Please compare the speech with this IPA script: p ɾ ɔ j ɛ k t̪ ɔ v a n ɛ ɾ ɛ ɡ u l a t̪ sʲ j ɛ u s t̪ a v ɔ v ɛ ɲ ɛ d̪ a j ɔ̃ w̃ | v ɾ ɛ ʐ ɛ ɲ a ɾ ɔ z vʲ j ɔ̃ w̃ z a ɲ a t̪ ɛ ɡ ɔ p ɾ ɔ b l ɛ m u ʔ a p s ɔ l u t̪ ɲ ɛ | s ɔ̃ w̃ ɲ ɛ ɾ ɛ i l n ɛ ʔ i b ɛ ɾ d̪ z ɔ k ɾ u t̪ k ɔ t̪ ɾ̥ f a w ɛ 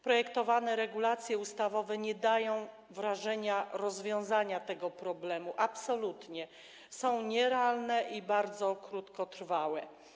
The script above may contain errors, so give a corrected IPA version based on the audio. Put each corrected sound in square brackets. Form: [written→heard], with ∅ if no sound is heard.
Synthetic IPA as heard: p ɾ ɔ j ɛ k t̪ ɔ v a n ɛ ɾ ɛ ɡ u l a t̪ sʲ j ɛ u s t̪ a v ɔ v ɛ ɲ ɛ d̪ a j ɔ̃ w̃ | v ɾ [ɛ→a] ʐ ɛ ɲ a ɾ ɔ z vʲ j ɔ̃ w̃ z a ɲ a t̪ ɛ ɡ ɔ p ɾ ɔ b l ɛ m u ʔ a p s ɔ l u t̪ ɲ ɛ | s ɔ̃ w̃ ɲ ɛ ɾ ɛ [i→a] l n ɛ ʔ i b [ɛ→a] ɾ d̪ z ɔ k ɾ u t̪ k ɔ t̪ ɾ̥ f a w ɛ